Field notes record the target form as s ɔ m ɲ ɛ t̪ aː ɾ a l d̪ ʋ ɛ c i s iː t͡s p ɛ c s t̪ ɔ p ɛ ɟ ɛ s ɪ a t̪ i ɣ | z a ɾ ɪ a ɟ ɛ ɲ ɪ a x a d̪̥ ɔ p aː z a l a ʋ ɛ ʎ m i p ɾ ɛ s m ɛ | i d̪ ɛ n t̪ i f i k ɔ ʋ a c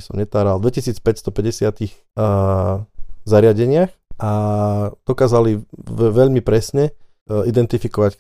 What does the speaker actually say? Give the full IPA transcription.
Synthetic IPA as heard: s ɔ m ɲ ɛ t̪ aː ɾ a l d̪ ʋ ɛ c i s iː t͡s p ɛ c s t̪ ɔ p ɛ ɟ ɛ s ɪ a t̪ i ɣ | z a ɾ ɪ a ɟ ɛ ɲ ɪ a x a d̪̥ ɔ k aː z a l i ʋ ɛ ʎ m i p ɾ ɛ s ɲ ɛ | i d̪ ɛ n t̪ i f i k ɔ ʋ a c